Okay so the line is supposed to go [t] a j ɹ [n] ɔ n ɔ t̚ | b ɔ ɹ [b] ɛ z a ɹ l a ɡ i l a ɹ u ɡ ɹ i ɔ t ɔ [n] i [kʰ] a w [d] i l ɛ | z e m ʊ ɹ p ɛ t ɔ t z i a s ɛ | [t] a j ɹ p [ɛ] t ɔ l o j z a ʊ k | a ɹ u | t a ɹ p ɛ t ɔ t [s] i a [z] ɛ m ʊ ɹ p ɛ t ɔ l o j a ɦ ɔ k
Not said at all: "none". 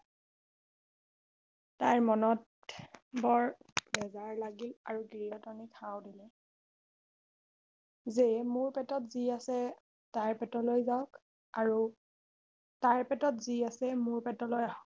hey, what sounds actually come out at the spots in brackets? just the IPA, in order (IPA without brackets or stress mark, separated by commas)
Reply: t, m, b, n, kʰ, d, t, ɛ, z, s